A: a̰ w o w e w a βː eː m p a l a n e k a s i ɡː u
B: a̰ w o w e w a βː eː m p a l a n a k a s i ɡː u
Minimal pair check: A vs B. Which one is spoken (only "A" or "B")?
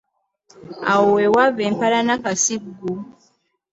B